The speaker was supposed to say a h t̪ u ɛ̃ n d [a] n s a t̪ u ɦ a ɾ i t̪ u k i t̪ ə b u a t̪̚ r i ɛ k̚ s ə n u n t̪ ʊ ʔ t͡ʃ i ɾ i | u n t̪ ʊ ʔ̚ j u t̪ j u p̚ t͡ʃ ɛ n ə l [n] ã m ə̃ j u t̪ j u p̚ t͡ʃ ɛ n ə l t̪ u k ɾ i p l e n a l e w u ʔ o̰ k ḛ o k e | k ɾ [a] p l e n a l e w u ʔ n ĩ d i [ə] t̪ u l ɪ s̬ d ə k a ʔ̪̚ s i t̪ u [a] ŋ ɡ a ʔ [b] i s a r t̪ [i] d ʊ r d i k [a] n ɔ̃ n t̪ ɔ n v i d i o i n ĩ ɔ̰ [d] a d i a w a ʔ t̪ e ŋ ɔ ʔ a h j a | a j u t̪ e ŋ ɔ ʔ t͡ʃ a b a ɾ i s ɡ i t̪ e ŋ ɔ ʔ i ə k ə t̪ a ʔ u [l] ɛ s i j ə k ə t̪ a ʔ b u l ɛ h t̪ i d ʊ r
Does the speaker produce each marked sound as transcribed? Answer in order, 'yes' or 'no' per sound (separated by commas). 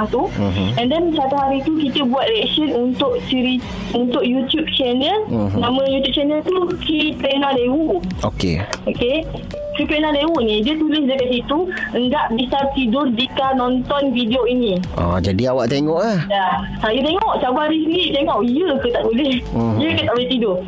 no, yes, no, yes, no, yes, yes, yes, no, yes